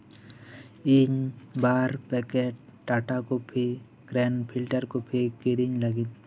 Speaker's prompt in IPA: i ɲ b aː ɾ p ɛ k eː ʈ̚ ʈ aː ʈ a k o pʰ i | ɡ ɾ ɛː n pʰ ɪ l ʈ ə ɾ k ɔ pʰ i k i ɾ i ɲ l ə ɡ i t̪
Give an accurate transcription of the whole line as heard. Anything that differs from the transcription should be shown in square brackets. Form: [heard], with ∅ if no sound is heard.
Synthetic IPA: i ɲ b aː ɾ p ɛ k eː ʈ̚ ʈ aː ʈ a k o pʰ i | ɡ ɾ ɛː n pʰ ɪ l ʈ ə ɾ k [o] pʰ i k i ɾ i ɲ l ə ɡ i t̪